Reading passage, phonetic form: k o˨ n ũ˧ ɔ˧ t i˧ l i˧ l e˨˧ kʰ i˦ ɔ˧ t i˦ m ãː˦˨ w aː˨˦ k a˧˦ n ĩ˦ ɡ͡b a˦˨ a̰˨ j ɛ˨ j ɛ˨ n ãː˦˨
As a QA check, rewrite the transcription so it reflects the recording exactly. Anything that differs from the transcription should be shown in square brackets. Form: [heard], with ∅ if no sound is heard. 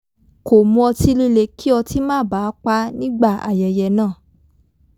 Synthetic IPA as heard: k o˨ [m] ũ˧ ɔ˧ t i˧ l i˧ l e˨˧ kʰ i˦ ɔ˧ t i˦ m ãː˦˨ [b] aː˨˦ [k͡p] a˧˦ n ĩ˦ ɡ͡b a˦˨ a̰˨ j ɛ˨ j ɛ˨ n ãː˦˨